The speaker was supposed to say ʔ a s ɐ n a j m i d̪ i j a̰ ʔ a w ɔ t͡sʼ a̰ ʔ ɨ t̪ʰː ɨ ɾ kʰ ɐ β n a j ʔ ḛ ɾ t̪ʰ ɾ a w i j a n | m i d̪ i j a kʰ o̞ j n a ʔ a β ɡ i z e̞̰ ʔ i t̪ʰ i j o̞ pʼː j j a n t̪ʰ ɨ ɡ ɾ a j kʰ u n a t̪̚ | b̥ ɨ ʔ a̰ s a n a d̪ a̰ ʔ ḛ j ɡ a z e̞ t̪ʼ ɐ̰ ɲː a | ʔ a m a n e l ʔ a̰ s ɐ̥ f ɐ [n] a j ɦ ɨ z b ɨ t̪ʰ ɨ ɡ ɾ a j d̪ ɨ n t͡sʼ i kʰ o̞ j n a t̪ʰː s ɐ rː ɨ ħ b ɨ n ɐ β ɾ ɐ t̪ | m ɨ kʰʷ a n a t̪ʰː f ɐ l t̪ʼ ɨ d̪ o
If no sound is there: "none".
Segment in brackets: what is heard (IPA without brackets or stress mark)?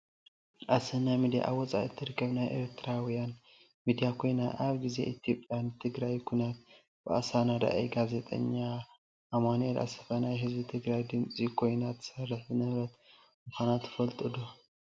n